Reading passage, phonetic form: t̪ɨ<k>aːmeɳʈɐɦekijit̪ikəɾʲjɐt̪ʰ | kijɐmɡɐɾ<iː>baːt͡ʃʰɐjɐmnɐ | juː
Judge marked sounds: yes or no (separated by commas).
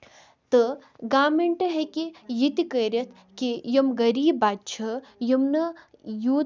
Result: no, yes